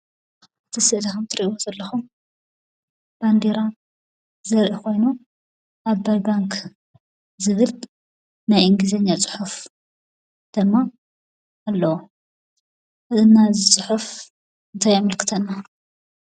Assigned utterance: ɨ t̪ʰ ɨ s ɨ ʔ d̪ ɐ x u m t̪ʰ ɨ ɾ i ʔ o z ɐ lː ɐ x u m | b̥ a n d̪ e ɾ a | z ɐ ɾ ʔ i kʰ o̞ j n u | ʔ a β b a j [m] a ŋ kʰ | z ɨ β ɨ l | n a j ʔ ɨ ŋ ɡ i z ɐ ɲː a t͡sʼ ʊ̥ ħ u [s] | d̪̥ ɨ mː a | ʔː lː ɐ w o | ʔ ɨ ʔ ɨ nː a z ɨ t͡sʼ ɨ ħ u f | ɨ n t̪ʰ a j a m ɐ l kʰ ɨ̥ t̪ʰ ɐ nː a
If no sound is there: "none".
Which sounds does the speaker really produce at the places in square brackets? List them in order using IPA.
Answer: b, f

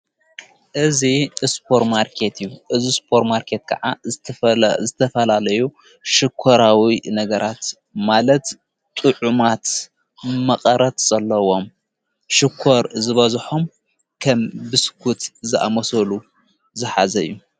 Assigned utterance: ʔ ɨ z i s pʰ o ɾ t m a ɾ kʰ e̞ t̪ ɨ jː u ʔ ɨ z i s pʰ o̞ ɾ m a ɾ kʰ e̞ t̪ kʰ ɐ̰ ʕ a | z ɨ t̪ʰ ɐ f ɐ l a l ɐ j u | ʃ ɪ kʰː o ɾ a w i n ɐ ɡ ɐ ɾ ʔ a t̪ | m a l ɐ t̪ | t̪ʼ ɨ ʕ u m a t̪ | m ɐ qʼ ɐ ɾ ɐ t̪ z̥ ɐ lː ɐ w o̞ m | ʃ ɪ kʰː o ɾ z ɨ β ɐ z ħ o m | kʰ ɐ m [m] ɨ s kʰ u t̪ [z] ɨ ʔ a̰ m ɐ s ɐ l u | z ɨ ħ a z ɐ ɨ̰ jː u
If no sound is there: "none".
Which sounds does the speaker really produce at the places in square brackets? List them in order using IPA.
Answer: b, z

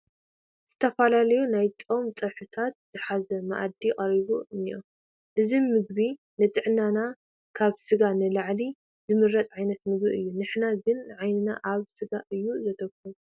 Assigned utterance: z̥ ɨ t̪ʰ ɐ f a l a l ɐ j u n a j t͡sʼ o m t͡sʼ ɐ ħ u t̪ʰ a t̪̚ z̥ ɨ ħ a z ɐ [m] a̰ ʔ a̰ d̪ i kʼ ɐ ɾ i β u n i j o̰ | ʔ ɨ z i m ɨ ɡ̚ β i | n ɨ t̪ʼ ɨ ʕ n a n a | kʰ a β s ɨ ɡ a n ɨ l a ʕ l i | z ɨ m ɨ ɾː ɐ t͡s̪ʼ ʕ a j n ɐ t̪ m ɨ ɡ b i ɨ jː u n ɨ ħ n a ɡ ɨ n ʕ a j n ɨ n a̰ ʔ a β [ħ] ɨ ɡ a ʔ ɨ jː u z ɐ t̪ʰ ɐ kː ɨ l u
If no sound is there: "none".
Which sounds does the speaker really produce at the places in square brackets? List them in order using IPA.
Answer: m, s

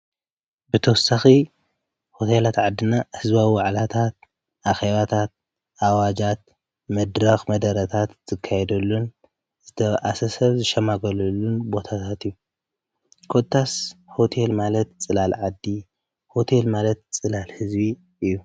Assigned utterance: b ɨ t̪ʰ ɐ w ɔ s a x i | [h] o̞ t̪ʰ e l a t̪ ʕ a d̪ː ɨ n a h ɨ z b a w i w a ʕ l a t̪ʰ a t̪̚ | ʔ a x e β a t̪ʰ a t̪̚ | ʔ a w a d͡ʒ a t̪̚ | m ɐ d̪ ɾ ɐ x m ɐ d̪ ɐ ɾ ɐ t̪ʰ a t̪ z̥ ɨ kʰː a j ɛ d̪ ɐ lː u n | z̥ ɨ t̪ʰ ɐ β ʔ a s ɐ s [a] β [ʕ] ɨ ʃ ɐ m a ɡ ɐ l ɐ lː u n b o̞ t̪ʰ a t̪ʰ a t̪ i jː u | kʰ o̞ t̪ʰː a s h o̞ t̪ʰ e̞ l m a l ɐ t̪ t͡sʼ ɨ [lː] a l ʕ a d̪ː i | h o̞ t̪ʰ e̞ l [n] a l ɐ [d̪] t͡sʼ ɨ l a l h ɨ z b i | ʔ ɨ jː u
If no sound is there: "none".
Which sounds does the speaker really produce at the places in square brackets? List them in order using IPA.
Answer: h, ɐ, z, l, m, t̪

